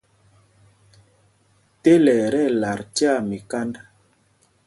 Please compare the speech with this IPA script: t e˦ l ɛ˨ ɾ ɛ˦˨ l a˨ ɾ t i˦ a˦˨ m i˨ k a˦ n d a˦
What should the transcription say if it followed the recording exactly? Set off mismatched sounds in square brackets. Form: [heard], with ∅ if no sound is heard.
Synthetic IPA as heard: t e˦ l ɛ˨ ɾ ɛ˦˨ l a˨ ɾ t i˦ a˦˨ m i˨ k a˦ n d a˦

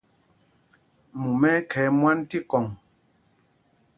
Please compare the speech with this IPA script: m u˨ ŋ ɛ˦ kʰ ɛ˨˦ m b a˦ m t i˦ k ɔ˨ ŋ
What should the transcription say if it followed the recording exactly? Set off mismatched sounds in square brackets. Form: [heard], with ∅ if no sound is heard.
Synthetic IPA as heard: m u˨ [m] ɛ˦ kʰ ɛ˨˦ m [w] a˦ [n] t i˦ k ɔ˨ ŋ

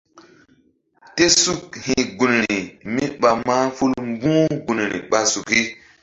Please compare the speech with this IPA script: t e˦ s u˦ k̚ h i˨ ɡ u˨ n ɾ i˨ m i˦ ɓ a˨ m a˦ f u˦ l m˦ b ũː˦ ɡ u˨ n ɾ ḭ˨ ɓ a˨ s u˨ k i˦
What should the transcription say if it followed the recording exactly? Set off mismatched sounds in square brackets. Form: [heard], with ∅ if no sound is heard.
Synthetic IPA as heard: t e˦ s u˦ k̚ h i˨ ɡ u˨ n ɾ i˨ m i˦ ɓ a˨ m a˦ f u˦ l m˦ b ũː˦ ɡ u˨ n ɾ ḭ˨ ɓ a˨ s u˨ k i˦

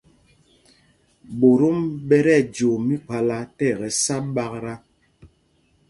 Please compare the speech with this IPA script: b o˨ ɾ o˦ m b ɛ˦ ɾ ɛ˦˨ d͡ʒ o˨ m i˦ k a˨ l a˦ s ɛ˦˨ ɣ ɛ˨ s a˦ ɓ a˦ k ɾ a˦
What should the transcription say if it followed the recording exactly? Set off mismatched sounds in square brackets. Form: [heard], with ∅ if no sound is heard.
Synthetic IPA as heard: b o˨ ɾ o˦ m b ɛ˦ ɾ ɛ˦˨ d͡ʒ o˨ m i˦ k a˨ l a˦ [t] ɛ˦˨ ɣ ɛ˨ s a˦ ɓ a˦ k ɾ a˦

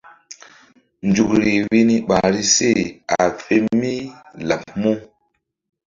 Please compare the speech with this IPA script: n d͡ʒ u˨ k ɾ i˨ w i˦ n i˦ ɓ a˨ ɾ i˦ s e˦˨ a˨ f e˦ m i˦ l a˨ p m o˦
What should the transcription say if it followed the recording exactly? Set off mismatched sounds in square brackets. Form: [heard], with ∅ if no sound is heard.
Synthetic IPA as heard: n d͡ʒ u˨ k ɾ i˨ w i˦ n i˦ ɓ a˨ ɾ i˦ s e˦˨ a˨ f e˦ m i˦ l a˨ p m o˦

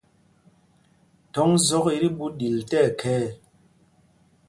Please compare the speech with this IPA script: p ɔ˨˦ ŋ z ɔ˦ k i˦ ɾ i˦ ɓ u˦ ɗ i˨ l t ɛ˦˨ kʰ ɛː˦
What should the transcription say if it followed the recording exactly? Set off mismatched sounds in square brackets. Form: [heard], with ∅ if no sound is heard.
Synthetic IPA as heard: [t] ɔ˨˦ ŋ z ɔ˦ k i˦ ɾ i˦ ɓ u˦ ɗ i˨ l t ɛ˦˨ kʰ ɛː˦

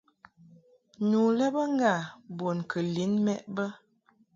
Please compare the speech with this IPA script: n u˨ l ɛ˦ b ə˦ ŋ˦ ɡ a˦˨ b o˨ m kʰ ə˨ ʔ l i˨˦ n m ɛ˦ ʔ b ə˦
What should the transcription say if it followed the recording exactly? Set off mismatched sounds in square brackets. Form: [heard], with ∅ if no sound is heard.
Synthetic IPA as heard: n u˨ l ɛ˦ b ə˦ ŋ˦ ɡ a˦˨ b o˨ [n] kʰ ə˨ [∅] l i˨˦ n m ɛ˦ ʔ b ə˦

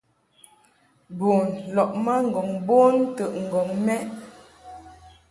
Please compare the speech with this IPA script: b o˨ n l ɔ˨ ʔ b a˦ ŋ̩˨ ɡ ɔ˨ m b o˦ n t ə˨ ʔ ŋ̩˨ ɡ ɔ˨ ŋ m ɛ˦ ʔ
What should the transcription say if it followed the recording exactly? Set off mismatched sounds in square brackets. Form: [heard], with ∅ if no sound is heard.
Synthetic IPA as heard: b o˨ n l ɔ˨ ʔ [m] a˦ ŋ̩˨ ɡ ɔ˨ [ŋ] b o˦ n t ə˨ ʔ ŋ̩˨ ɡ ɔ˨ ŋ m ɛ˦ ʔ

